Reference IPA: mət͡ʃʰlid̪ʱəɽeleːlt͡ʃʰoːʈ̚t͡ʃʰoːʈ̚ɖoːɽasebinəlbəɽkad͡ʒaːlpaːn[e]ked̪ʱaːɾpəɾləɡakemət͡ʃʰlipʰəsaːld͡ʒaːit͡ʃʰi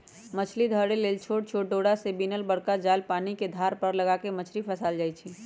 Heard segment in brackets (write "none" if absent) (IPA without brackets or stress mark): i